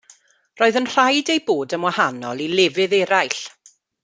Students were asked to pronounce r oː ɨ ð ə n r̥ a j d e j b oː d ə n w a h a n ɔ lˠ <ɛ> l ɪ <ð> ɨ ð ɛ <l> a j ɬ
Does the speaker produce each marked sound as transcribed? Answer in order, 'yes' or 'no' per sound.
no, no, no

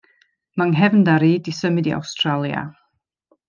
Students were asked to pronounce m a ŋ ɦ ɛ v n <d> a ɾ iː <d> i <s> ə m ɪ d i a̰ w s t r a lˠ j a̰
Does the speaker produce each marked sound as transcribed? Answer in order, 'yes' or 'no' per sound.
yes, yes, yes

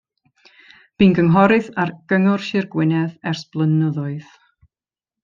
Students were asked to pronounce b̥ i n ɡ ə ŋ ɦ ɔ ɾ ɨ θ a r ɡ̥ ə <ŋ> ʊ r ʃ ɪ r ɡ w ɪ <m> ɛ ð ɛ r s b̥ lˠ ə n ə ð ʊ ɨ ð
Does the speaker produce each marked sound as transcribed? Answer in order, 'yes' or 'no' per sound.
yes, no

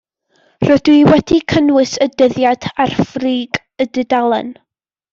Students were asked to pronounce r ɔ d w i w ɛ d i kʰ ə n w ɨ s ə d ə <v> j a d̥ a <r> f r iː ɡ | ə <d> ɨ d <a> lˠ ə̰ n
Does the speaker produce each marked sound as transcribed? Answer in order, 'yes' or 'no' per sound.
no, yes, yes, yes

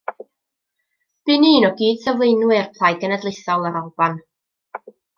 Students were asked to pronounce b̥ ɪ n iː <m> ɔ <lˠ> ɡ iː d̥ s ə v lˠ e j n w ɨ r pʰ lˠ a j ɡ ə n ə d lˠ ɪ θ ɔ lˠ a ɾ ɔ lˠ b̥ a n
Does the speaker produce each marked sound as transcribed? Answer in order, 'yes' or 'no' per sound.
no, no

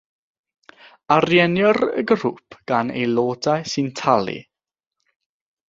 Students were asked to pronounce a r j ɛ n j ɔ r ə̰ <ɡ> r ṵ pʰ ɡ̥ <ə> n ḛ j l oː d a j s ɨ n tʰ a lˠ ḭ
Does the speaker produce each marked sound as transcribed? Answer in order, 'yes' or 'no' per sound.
yes, no

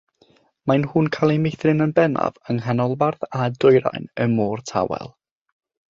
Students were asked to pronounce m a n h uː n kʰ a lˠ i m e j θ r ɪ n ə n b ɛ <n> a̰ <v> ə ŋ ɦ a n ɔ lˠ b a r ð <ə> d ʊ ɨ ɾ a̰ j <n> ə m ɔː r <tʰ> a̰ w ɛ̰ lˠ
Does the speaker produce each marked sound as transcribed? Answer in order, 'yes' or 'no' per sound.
yes, yes, no, yes, yes

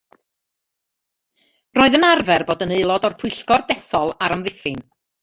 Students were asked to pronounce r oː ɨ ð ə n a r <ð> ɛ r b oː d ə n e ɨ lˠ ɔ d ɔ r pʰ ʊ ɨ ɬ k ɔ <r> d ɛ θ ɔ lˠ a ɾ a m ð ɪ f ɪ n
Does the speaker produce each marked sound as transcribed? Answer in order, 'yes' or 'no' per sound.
no, yes

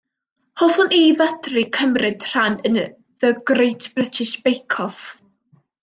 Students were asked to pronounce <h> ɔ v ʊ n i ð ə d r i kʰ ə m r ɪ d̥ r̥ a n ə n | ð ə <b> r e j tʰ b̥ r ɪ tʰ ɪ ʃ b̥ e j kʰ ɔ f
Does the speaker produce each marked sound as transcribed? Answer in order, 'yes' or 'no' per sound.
yes, no

